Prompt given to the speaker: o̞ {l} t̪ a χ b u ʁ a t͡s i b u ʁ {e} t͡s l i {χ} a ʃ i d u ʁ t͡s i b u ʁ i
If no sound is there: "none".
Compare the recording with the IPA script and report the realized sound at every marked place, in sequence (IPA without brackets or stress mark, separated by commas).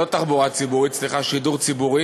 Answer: none, i, χ